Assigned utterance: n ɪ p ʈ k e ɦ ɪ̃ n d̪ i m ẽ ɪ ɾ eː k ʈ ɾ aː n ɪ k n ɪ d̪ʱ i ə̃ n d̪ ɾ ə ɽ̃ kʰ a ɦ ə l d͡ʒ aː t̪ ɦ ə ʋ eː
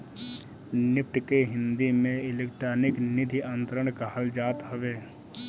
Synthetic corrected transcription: n ɪ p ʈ k e ɦ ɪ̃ n d̪ i m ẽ ɪ l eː k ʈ ɾ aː n ɪ k n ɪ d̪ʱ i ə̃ n t̪ ɾ ə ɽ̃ k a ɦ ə l d͡ʒ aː t̪ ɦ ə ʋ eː